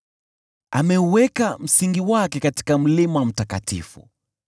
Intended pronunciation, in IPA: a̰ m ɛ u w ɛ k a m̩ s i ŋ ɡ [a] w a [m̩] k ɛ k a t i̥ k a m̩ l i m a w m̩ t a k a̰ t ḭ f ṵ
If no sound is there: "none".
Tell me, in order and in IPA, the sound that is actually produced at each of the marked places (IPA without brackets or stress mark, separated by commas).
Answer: i, none